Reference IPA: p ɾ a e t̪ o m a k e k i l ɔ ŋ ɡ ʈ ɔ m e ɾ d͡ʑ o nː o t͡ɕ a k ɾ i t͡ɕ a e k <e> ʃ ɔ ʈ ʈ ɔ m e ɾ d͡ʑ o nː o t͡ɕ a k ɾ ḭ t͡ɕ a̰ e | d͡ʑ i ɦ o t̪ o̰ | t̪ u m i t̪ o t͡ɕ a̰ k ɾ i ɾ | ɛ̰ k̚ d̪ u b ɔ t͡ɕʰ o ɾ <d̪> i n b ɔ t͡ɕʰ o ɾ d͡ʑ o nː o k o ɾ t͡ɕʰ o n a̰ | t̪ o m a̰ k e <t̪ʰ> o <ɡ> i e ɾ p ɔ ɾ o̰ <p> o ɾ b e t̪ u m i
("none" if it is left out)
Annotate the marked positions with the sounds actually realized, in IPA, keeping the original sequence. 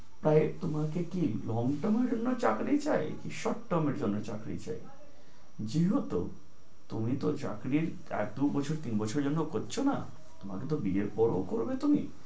i, t̪, t̪, b, k

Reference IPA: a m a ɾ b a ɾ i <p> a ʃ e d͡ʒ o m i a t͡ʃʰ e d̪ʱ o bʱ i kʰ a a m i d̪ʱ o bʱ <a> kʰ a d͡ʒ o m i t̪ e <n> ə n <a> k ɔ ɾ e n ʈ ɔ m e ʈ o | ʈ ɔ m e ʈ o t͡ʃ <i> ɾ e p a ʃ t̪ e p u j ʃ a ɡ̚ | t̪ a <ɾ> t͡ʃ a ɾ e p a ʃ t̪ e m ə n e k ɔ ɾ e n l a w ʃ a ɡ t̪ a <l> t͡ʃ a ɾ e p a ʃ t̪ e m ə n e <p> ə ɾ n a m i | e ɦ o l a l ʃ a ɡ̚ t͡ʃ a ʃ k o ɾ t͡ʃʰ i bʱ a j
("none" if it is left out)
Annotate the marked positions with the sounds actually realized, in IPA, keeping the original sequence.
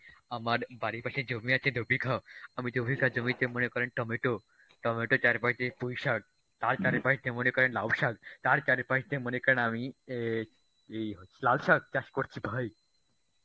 p, i, m, e, a, ɾ, ɾ, k

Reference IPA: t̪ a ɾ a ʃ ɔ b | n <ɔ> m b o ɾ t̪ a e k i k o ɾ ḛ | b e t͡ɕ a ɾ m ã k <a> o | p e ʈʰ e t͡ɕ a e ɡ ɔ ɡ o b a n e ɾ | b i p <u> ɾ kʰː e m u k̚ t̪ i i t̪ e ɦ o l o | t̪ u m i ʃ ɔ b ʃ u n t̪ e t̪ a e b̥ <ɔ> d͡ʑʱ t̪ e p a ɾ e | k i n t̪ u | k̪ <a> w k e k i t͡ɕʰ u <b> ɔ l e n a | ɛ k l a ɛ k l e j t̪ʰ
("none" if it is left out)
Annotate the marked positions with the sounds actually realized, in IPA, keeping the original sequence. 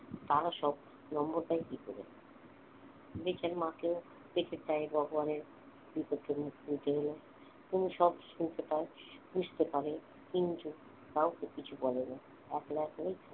ɔ, e, o, u, a, b

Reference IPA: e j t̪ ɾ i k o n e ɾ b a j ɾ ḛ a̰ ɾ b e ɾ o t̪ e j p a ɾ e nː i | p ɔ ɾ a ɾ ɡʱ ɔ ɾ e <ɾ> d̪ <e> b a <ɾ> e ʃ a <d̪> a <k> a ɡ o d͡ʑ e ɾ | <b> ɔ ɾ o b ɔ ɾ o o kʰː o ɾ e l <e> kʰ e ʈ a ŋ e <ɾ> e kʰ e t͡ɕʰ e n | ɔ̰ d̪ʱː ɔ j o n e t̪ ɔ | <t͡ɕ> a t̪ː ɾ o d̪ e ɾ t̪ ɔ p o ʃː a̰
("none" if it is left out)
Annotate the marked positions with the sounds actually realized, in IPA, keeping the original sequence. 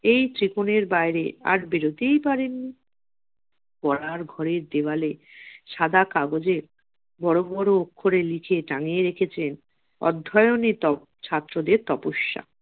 ɾ, e, l, d̪, k, b, i, ɾ, t͡ɕʰ

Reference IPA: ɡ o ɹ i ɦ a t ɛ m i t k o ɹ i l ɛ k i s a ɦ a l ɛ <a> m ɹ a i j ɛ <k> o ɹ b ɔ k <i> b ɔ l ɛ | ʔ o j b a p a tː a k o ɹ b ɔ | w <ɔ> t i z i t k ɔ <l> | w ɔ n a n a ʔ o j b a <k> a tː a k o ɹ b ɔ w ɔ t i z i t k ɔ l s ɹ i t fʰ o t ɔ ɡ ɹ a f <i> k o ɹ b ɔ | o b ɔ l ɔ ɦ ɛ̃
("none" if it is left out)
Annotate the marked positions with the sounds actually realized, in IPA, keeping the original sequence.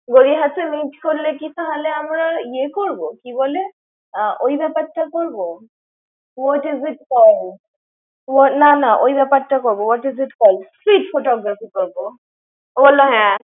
a, k, i, ɔ, l, p, i

